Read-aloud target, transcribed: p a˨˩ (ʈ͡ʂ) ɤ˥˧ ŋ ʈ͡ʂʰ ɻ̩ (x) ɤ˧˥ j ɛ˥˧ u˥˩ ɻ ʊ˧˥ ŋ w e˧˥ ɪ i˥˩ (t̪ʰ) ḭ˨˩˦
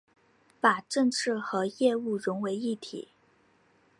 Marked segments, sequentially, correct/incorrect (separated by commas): correct, correct, correct